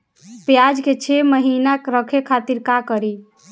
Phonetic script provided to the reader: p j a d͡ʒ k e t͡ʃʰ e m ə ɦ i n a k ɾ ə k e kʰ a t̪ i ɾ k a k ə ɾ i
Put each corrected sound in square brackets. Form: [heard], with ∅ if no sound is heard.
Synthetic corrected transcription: p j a d͡ʒ k e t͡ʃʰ e m ə ɦ i n a k ɾ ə [kʰ] e kʰ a t̪ i ɾ k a k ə ɾ i